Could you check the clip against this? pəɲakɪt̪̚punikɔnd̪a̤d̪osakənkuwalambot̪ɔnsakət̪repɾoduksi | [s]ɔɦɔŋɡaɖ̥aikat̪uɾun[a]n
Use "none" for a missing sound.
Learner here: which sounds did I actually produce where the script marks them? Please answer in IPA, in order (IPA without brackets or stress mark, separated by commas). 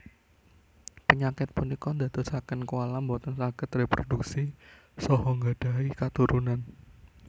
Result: s, a